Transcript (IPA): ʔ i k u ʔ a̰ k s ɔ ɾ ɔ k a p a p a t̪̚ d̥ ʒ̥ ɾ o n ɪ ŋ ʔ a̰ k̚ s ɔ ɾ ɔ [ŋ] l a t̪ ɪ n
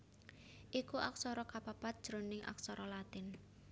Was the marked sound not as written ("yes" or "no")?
yes